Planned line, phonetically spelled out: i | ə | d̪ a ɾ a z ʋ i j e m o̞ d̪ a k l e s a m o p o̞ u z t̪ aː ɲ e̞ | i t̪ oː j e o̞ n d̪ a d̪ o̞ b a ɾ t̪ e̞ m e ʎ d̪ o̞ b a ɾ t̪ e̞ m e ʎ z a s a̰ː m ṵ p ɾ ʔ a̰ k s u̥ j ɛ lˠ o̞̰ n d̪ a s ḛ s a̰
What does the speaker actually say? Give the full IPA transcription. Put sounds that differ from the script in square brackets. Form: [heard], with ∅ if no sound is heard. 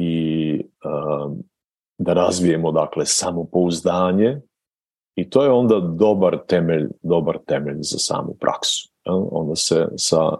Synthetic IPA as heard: i | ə | d̪ a ɾ a z ʋ i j e m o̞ d̪ a k l e s a m o p o̞ u z [d̪] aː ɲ e̞ | i t̪ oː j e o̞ n d̪ a d̪ o̞ b a ɾ t̪ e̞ m e ʎ d̪ o̞ b a ɾ t̪ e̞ m e ʎ z a s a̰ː m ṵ p ɾ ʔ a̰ k s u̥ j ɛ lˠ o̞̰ n d̪ a s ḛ s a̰